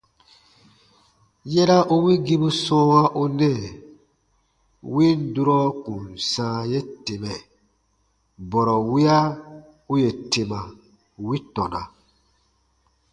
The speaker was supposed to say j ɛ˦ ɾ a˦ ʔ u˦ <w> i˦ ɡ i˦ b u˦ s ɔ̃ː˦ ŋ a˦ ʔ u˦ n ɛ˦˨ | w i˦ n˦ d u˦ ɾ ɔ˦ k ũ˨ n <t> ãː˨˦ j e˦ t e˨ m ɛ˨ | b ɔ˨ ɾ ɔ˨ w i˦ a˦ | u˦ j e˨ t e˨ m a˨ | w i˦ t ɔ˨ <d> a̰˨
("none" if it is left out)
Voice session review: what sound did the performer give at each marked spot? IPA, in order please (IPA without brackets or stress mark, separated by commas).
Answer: w, s, n